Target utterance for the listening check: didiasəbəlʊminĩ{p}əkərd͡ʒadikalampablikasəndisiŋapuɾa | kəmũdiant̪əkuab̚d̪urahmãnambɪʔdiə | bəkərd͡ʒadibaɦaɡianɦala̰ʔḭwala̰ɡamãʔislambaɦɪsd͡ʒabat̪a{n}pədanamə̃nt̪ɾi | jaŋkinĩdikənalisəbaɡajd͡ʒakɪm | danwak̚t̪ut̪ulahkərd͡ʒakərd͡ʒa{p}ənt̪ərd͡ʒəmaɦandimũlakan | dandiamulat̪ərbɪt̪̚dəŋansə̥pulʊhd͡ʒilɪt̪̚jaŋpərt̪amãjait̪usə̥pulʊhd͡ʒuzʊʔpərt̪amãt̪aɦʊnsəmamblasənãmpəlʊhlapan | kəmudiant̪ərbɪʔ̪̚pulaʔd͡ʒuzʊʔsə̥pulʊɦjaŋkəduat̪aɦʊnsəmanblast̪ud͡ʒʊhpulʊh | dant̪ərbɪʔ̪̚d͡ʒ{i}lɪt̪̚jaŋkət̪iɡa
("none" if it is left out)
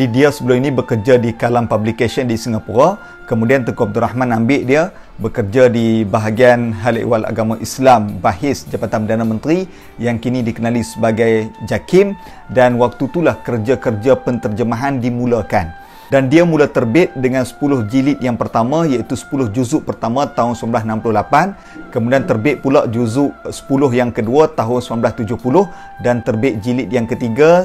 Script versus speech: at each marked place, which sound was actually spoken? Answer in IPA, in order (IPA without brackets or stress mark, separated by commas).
b, n, p, i